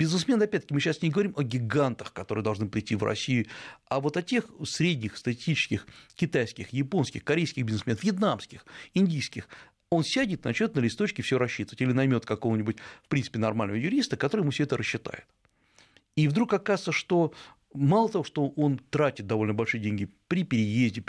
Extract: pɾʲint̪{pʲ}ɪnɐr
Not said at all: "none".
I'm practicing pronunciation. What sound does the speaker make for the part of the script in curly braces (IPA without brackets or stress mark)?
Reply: pʲ